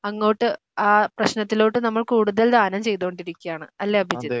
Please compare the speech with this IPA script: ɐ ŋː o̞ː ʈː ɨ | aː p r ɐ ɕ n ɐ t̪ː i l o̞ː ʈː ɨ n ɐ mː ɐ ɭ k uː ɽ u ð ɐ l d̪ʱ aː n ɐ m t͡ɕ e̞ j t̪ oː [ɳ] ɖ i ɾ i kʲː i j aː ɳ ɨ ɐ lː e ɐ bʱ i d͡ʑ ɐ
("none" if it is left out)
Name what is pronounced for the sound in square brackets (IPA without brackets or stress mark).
ɳ